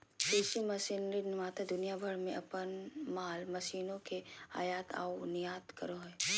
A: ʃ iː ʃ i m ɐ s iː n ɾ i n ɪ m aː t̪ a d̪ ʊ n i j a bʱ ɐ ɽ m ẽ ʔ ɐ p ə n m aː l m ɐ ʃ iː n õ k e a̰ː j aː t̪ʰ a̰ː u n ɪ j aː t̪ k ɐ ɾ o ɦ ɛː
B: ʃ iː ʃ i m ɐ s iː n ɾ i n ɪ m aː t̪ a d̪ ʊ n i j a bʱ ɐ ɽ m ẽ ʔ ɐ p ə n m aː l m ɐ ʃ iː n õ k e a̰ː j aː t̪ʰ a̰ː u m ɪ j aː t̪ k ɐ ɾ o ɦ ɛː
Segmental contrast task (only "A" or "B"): A